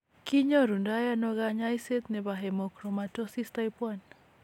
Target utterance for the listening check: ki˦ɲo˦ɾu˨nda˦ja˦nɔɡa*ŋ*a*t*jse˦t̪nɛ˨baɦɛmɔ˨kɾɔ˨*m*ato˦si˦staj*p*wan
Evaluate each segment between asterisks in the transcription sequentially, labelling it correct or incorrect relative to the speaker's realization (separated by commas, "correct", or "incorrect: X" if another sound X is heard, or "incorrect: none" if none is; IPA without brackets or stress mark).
incorrect: ɲ, incorrect: none, correct, correct